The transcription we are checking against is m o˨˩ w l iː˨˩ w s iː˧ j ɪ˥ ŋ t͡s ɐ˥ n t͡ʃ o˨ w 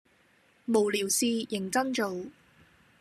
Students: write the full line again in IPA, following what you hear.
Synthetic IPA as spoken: m o˨˩ w l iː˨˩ w s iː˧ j ɪ˨˩ ŋ t͡s ɐ˥ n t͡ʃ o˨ w